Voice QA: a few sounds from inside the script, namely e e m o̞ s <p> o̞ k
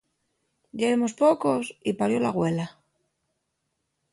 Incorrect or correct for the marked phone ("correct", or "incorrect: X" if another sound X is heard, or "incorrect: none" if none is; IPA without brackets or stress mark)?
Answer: correct